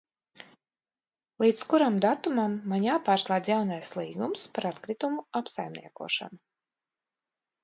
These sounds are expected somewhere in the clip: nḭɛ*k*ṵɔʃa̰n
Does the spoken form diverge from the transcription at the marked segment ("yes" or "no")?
no